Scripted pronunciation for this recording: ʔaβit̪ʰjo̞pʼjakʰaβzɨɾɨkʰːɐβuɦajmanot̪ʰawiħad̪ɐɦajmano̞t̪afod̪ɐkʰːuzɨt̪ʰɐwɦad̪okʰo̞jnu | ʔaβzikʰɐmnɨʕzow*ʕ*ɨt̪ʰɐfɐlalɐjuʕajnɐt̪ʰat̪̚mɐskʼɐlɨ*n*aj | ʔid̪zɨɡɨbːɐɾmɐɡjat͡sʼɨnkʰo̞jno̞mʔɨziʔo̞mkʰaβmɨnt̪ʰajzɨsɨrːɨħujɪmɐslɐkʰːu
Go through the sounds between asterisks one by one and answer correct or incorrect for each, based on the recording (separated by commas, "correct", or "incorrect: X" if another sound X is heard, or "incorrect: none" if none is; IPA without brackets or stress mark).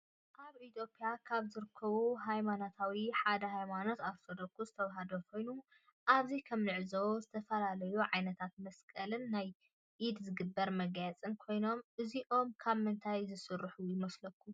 incorrect: z, incorrect: nː